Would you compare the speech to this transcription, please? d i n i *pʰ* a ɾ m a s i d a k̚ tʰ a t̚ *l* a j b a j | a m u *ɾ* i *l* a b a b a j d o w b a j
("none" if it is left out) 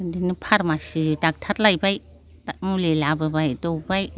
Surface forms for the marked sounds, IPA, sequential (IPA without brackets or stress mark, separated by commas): pʰ, l, l, l